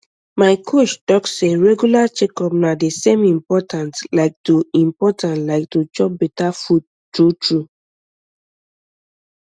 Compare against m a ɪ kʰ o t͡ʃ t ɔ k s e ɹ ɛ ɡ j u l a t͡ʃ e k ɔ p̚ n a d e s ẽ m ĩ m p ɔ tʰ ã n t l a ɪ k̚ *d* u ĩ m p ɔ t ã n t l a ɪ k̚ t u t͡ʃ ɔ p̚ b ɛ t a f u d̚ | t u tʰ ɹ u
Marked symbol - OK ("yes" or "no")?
no